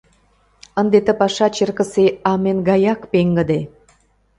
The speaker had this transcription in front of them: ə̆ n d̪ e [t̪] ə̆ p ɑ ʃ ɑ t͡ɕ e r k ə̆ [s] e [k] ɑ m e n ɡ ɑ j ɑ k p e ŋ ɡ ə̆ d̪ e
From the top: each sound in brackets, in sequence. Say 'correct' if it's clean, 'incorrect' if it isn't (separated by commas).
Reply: correct, correct, incorrect